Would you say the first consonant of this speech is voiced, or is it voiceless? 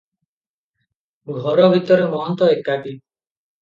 voiced